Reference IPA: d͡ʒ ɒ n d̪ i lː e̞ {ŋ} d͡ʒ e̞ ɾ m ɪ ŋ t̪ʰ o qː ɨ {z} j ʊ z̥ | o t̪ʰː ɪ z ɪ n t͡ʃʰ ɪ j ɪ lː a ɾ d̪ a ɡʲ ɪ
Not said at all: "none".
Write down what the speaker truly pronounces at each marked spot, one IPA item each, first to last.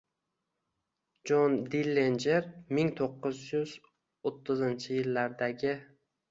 n, z

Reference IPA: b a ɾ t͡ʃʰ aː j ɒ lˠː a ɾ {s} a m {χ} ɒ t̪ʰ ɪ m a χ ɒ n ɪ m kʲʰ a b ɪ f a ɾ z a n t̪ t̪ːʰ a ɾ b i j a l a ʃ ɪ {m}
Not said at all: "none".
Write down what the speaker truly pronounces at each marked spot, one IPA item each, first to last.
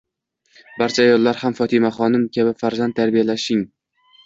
h, f, ŋ

